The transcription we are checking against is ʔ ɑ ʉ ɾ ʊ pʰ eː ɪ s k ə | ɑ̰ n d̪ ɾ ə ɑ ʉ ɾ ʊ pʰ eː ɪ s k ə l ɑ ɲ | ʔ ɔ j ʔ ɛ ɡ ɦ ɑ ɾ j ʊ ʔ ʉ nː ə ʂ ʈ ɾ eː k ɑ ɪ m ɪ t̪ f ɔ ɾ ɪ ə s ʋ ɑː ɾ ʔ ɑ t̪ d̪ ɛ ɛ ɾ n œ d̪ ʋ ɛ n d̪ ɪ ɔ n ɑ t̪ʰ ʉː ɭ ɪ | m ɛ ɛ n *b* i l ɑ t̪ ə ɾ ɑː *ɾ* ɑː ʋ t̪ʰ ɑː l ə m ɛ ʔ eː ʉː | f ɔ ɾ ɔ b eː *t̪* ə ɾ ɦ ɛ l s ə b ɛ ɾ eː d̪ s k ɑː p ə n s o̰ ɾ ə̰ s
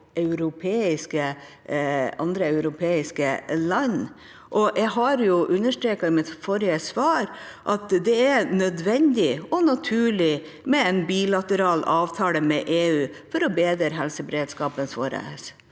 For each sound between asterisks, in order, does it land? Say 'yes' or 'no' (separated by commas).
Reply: yes, no, no